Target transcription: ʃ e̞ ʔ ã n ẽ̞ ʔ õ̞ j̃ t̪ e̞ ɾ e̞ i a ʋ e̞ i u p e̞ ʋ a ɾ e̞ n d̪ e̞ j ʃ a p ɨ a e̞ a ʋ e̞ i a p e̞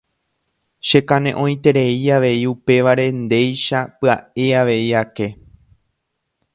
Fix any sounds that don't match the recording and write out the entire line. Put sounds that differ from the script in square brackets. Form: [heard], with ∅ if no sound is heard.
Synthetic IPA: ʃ e̞ [k] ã n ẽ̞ ʔ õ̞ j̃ t̪ e̞ ɾ e̞ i a ʋ e̞ i u p e̞ ʋ a ɾ e̞ n d̪ e̞ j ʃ a p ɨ a e̞ a ʋ e̞ i a [k] e̞